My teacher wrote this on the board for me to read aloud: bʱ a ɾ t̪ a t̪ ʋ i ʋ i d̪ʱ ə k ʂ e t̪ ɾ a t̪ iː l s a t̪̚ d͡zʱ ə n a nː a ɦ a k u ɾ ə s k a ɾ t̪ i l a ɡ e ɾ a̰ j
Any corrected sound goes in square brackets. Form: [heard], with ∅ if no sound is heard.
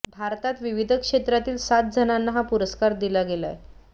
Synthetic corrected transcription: bʱ a ɾ t̪ a t̪ ʋ i ʋ i d̪ʱ ə k ʂ e t̪ ɾ a t̪ iː l s a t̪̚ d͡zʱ ə n a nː a ɦ a [p] u ɾ ə s k a ɾ [d̪] i l a ɡ e [l] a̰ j